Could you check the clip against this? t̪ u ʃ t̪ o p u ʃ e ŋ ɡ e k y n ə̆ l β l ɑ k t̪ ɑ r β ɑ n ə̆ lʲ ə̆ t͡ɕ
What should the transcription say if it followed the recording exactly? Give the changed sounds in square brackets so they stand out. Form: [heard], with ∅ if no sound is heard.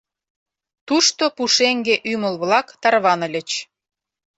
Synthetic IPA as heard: t̪ u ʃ t̪ o p u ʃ e ŋ ɡ e [ʔ] y [m] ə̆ l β l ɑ k t̪ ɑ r β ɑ n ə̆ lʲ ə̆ t͡ɕ